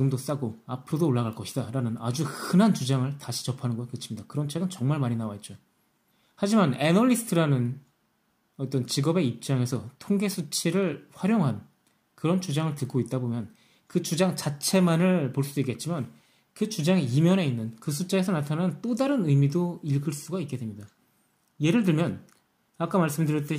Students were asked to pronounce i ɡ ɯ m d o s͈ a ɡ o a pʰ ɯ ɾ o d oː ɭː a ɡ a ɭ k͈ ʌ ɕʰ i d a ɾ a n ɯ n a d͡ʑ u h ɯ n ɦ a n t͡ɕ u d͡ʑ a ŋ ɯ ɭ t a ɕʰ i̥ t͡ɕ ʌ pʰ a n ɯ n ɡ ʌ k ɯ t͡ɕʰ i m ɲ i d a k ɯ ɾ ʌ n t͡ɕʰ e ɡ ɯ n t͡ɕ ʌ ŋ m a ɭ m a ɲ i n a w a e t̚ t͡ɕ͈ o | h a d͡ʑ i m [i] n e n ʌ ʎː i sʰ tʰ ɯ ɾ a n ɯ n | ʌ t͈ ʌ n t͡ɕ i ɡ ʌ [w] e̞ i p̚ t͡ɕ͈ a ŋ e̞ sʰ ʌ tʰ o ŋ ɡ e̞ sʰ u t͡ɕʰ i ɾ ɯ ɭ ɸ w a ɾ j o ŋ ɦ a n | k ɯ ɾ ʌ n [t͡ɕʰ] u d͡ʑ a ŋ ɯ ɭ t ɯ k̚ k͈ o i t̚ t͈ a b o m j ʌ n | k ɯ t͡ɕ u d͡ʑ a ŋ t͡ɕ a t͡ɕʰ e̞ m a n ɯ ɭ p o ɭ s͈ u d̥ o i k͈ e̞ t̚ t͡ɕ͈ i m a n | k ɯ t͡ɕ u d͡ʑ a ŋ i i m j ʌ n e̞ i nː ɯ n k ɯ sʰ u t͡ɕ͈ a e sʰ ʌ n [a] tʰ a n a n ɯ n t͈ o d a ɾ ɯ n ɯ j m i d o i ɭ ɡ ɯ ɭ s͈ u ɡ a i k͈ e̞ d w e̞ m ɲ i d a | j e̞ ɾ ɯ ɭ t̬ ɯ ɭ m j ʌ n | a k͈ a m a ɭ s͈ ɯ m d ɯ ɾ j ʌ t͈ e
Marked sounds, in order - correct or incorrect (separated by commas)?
incorrect, incorrect, incorrect, correct